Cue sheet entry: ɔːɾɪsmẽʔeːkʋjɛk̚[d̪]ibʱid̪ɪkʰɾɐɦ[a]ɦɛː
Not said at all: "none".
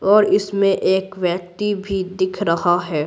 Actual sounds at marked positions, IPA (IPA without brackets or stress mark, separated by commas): t̪, a